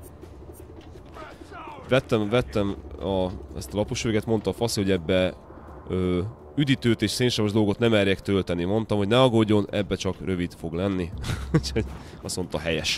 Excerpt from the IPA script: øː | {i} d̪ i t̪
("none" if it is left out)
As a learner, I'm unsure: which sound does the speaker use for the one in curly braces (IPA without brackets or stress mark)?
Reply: y